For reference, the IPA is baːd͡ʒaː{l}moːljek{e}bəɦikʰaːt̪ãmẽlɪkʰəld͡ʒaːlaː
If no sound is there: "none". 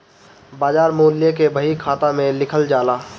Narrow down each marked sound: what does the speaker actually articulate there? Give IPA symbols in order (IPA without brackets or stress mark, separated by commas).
ɾ, e